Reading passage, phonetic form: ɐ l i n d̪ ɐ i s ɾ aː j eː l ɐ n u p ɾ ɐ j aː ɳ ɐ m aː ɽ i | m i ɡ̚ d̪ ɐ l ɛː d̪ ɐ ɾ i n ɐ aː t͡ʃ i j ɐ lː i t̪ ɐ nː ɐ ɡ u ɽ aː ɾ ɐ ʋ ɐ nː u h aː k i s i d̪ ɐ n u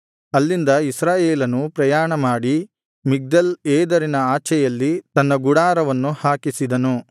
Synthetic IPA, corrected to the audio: ɐ lː i n d̪ ɐ i s ɾ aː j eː l ɐ n u p ɾ ɐ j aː ɳ ɐ m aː ɽ i | m i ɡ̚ d̪ ɐ l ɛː d̪ ɐ ɾ i n ɐ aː t͡ʃ ɛ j ɐ lː i t̪ ɐ nː ɐ ɡ u ɽ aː ɾ ɐ ʋ ɐ nː u h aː k i s i d̪ ɐ n u